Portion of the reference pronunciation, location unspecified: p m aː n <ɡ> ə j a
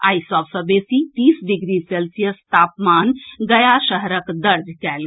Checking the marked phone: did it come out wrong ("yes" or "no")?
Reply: no